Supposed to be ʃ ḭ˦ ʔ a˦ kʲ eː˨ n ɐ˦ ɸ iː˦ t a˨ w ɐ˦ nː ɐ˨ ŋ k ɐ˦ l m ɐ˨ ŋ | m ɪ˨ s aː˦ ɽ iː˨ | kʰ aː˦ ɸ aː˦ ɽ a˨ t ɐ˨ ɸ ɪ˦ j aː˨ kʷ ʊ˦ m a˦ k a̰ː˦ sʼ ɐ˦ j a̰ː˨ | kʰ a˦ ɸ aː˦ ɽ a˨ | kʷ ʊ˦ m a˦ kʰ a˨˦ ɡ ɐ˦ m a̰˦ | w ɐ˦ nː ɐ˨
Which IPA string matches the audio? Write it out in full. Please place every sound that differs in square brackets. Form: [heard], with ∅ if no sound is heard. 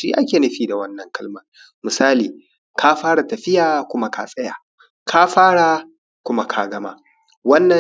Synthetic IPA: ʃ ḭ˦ ʔ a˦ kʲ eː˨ n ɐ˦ ɸ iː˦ [d] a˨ w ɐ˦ nː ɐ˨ ŋ k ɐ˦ l m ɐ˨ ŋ | m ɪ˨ s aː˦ [l] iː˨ | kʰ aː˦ ɸ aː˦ ɽ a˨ t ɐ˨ ɸ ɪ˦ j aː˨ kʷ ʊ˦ m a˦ k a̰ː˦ sʼ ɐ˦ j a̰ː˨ | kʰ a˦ ɸ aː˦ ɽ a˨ | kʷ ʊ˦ m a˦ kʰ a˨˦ ɡ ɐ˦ m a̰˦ | w ɐ˦ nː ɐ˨